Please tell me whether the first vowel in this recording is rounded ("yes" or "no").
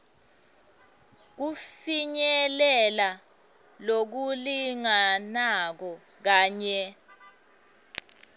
yes